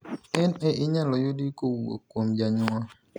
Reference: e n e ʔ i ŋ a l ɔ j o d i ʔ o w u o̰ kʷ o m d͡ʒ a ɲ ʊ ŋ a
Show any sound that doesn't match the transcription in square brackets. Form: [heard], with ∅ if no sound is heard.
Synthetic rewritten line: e n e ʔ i [ɲ] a l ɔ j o d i [k] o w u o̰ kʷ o m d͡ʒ a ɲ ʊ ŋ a

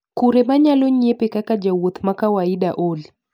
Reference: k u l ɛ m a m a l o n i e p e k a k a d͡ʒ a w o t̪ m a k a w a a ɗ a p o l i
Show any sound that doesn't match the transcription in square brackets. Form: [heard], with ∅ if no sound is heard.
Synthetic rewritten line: k u [ɾ] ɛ m a [ɲ] a l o [ɲ] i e p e k a k a d͡ʒ a w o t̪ m a k a w a [i] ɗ a [ʔ] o l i

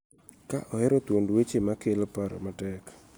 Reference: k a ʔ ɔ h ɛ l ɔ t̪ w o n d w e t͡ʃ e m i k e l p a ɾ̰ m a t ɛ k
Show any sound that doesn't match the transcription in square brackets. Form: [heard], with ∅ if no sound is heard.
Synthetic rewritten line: k a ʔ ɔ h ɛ [ɾ] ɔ t̪ w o n d w e t͡ʃ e m [a] k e l p a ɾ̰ m a t ɛ k

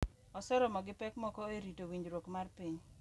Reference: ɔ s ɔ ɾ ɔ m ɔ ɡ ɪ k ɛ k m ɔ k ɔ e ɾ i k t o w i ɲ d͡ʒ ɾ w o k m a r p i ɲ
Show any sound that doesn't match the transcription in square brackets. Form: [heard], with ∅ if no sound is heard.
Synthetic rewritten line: ɔ s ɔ ɾ ɔ m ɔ ɡ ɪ [p] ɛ k m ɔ k ɔ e ɾ i [∅] t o w i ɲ d͡ʒ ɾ w o k m a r p i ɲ

